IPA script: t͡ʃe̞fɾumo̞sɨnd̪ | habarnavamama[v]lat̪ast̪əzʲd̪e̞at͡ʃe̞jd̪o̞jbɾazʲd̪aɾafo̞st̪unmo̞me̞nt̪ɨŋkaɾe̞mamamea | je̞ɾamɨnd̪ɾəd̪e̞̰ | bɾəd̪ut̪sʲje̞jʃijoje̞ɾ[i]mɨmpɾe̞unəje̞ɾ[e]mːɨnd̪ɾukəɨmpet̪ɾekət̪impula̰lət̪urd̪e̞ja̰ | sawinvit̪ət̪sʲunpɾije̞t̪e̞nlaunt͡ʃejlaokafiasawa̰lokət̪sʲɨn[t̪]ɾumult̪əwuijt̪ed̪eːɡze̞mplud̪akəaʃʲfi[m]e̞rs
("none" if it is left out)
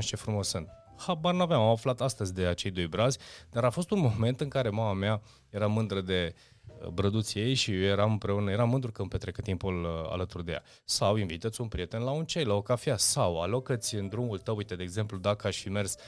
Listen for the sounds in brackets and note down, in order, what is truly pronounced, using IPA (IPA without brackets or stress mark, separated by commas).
f, a, a, d̪, m